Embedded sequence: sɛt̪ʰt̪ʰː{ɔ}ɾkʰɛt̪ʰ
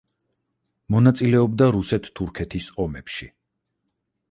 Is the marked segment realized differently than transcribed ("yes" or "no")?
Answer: yes